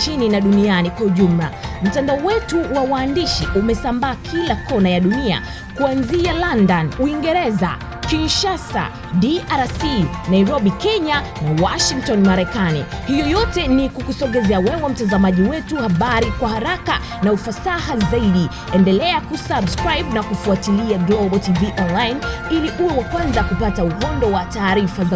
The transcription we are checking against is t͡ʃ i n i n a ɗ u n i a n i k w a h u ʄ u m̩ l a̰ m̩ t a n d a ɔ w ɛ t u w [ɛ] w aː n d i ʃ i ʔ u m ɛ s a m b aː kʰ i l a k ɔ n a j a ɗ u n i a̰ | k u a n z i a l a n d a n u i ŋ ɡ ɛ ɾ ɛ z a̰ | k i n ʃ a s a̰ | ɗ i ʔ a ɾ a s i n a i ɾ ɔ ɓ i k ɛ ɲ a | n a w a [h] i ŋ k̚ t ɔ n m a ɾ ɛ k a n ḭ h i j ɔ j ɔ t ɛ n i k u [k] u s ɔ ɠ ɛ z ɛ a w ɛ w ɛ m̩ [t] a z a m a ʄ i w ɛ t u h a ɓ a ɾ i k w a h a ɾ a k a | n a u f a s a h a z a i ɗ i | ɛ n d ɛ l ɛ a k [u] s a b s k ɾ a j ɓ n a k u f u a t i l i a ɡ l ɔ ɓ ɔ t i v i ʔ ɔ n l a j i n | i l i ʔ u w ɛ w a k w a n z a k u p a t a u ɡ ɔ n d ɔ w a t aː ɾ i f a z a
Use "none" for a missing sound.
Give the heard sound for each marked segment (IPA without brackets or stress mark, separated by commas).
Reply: a, ʃ, k, t, u